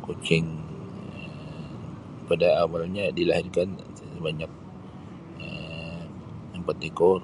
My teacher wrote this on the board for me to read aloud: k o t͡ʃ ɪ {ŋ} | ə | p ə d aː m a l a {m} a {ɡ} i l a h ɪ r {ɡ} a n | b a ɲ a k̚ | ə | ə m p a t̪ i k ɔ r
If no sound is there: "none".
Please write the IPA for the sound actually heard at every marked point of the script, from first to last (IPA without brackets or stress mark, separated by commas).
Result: ŋ, ɲ, d, k